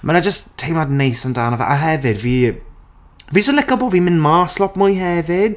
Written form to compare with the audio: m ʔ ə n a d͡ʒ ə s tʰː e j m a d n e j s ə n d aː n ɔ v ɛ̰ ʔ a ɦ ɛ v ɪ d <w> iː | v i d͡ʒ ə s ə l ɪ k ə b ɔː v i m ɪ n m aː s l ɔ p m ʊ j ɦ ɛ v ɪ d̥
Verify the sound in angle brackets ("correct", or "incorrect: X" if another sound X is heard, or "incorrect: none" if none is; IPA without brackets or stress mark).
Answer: incorrect: v